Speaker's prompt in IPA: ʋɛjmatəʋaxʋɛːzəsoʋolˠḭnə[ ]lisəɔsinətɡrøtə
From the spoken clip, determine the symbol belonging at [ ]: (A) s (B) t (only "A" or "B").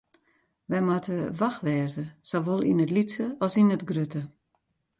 B